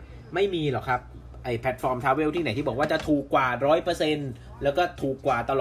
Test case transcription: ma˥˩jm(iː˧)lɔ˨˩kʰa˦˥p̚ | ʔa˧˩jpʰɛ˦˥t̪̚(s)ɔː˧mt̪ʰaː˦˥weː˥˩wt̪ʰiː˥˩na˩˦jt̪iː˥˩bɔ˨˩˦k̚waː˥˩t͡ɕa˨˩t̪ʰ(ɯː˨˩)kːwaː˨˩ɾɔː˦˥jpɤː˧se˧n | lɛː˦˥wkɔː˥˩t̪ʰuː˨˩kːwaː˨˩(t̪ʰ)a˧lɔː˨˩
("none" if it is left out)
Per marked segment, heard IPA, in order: iː˧, f, uː˨˩, t̪

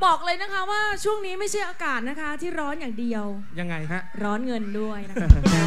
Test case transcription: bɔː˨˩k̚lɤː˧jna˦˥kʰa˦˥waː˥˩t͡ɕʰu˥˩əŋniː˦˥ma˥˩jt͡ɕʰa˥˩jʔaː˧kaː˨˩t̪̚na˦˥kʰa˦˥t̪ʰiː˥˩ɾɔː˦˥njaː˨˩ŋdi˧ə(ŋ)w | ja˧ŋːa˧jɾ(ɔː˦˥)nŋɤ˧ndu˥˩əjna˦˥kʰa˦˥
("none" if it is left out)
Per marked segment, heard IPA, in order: none, ɔː˦˥

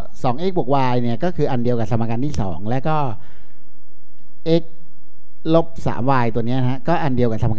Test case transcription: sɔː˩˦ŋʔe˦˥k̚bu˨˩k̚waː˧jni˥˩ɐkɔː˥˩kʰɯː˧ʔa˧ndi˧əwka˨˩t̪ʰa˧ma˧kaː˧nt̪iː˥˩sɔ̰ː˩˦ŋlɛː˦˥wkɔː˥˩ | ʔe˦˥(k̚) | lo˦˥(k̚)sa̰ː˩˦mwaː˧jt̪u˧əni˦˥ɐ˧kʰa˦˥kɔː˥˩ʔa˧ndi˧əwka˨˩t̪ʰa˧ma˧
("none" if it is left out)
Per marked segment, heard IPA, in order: k̚, p̚

